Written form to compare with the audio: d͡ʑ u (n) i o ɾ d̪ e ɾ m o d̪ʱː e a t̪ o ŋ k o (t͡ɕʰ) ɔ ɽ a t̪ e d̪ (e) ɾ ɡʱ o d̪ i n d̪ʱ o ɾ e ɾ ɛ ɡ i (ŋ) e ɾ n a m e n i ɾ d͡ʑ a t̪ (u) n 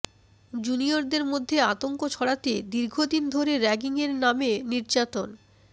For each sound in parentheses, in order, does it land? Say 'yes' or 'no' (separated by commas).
yes, yes, no, yes, no